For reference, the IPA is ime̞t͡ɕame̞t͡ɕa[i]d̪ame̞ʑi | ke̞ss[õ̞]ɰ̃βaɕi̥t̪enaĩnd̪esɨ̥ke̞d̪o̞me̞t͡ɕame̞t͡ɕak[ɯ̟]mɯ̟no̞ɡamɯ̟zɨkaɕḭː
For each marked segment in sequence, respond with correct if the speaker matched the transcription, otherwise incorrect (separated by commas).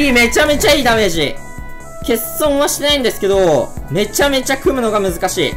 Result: incorrect, correct, correct